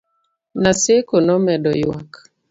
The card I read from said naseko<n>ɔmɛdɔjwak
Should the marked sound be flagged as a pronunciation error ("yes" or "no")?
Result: no